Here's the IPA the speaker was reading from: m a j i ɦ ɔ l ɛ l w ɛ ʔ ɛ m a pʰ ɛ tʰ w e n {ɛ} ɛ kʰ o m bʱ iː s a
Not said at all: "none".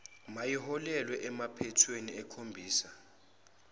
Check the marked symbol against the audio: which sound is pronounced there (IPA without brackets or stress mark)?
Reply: i